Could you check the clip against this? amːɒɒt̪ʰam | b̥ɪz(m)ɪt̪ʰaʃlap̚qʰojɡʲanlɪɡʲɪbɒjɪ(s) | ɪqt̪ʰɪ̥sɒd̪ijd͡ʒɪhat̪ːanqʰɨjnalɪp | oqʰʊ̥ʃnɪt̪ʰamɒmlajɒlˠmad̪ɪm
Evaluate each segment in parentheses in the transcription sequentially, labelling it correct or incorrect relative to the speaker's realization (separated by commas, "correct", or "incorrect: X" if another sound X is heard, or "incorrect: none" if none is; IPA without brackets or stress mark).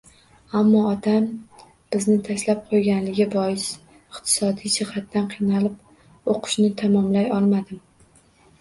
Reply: incorrect: n, correct